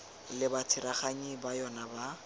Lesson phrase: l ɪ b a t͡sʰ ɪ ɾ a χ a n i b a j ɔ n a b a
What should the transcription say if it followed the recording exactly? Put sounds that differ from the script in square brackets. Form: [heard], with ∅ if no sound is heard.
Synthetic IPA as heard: l ɪ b a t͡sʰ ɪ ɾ a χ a [ɲ] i b a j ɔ n a b a